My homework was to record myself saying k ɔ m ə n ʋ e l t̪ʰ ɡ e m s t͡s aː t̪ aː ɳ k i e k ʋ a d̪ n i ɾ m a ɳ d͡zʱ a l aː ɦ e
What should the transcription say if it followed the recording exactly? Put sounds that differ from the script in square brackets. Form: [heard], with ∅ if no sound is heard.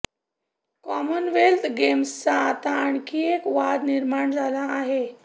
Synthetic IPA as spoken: k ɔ m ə n ʋ e l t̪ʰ ɡ e m s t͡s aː t̪ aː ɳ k i e k ʋ a d̪ n i ɾ m a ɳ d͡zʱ a l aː ɦ e